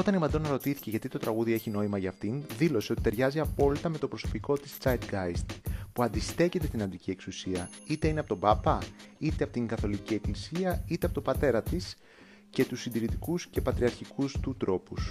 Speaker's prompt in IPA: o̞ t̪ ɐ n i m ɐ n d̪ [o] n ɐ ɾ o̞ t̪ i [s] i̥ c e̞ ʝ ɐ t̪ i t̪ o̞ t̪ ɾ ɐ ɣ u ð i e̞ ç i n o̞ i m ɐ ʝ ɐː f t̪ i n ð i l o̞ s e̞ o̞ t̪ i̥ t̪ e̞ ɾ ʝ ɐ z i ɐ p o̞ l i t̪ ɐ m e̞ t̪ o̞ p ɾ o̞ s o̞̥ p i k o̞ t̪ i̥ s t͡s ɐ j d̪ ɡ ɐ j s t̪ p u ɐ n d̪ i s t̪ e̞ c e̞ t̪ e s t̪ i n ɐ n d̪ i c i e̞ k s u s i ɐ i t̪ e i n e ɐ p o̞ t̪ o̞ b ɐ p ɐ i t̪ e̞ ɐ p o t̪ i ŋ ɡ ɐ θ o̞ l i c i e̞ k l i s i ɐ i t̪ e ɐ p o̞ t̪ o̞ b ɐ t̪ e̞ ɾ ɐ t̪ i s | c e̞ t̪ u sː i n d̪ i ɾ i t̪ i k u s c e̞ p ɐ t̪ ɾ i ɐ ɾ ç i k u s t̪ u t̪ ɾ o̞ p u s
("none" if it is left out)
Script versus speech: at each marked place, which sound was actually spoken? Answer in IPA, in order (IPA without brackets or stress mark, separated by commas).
o, θ